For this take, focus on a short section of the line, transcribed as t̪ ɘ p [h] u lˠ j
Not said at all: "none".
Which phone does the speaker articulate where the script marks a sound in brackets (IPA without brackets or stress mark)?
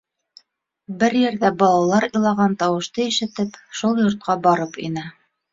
ʃ